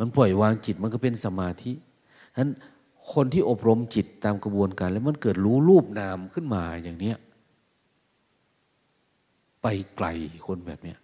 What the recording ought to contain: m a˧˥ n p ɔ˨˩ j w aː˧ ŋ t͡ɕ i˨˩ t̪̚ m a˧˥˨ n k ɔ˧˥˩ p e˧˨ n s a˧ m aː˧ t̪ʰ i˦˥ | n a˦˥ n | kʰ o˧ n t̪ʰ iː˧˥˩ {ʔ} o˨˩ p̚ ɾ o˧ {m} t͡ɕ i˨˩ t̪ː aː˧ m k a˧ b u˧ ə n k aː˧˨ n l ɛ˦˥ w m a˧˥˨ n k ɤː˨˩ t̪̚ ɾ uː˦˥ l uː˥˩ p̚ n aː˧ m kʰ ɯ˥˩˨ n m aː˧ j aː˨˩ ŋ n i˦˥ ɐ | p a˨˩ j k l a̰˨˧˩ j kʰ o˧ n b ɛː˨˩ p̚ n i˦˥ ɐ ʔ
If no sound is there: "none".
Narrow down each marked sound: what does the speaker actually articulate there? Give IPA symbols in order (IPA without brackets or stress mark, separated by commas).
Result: ʔ, m